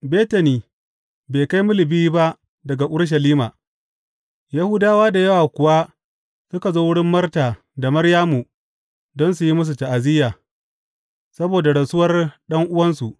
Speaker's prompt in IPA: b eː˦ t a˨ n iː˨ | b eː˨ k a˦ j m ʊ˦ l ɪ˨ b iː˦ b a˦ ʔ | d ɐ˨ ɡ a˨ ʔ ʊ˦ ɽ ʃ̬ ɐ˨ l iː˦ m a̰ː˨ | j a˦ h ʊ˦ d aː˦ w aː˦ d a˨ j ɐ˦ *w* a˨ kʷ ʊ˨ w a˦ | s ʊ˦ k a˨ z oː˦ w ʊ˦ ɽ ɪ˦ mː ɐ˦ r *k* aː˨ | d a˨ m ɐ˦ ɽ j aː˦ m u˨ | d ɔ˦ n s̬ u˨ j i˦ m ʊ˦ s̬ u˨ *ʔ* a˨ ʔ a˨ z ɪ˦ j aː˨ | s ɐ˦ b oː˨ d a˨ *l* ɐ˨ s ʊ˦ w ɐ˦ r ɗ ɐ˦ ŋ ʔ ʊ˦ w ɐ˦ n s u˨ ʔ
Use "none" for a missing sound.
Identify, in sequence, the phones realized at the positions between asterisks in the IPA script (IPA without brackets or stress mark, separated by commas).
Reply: w, t, t, ɽ